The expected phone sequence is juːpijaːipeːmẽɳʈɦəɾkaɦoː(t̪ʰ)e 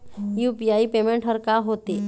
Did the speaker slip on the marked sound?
yes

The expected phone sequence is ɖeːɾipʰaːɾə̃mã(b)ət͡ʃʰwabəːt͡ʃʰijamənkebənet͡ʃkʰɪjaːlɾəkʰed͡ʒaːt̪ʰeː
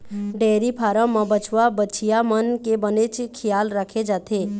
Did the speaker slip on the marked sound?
no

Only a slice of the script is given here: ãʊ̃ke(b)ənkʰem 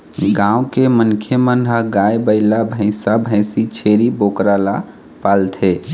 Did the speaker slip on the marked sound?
yes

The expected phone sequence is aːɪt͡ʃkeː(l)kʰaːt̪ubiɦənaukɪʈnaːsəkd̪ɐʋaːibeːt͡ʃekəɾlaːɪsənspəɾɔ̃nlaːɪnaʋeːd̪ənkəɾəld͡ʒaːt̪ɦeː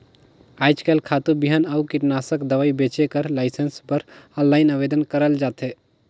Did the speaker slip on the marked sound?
no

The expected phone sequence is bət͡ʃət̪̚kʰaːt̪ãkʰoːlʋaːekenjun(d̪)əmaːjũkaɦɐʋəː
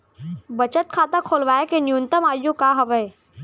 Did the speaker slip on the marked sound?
yes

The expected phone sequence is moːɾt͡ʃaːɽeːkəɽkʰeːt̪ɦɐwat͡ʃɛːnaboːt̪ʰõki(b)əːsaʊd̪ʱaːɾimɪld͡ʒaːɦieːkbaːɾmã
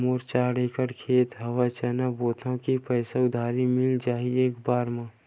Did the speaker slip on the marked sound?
yes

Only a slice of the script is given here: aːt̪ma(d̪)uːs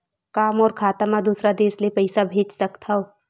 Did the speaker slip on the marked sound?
no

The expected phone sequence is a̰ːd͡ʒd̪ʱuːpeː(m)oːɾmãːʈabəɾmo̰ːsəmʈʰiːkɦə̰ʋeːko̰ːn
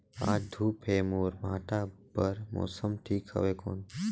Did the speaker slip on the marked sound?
no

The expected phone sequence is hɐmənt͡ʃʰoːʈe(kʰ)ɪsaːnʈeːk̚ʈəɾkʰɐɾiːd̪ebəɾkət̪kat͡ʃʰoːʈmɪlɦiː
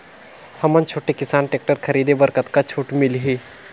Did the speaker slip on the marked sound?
yes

